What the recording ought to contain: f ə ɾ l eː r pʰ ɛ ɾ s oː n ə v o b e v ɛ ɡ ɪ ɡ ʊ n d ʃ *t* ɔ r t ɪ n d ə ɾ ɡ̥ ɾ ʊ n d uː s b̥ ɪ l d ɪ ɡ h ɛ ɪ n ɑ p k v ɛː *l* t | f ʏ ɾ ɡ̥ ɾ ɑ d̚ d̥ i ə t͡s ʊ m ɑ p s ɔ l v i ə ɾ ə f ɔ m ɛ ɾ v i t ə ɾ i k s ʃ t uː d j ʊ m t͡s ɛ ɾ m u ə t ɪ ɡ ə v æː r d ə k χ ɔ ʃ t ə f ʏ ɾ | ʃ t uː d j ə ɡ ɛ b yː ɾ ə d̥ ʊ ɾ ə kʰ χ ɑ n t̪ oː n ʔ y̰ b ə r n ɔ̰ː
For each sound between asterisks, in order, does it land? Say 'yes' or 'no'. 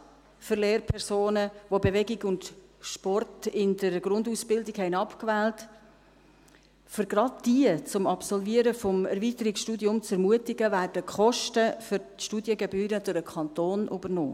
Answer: no, yes

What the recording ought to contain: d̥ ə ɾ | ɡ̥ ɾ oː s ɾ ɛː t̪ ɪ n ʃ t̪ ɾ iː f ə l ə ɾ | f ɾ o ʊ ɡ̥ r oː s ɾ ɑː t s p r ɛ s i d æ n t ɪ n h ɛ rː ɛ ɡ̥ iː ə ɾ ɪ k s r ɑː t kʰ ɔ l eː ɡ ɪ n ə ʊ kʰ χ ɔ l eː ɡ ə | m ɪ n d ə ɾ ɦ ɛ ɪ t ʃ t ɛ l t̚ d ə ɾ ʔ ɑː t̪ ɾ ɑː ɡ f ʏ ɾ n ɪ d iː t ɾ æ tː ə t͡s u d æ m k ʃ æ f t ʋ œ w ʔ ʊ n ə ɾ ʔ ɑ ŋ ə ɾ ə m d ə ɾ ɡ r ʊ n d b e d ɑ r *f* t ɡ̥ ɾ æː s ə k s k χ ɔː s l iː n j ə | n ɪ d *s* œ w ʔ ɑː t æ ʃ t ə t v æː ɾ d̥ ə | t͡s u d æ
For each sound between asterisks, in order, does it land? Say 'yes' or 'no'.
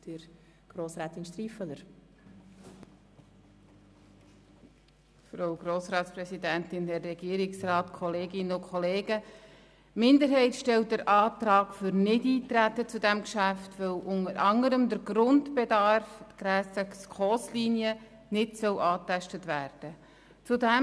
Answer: yes, yes

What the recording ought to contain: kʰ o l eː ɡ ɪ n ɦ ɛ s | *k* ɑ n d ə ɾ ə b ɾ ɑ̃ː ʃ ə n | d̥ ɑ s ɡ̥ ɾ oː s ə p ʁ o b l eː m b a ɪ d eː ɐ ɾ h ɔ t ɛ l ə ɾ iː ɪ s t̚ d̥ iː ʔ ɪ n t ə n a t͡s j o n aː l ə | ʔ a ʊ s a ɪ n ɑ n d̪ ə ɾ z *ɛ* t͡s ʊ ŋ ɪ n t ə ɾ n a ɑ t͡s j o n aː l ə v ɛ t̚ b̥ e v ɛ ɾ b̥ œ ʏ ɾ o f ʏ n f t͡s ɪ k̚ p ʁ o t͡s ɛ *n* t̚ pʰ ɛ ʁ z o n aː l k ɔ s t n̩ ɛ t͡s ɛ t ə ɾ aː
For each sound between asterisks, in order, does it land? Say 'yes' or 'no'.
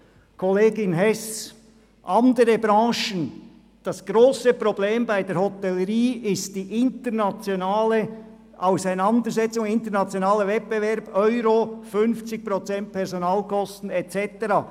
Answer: no, yes, yes

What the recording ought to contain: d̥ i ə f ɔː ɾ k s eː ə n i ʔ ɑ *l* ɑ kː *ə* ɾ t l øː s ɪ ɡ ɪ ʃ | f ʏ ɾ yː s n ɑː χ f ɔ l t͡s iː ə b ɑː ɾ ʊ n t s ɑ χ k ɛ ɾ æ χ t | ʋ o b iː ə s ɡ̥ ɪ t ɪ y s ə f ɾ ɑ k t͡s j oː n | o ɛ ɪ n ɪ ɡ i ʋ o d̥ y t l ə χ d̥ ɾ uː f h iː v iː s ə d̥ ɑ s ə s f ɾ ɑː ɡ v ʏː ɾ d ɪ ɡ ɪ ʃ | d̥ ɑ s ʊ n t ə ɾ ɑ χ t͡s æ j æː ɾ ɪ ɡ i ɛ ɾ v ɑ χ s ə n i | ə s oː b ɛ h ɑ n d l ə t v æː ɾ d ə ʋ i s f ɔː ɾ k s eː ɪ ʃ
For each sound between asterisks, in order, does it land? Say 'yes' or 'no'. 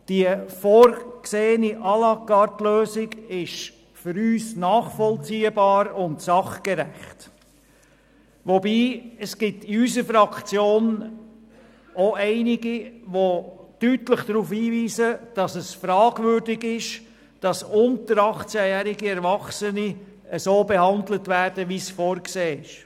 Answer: yes, no

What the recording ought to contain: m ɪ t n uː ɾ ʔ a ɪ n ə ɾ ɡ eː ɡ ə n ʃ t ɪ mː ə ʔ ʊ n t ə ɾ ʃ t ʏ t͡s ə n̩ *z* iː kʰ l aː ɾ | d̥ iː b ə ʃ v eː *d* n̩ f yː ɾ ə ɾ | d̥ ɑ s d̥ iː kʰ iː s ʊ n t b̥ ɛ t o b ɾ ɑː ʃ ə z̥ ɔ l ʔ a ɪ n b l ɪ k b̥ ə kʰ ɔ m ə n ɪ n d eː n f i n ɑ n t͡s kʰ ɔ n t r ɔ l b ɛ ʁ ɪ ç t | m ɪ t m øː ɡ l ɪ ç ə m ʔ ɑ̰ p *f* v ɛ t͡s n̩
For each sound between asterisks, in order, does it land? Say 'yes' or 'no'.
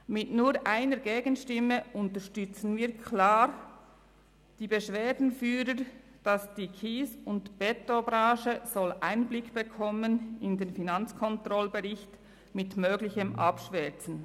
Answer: no, yes, no

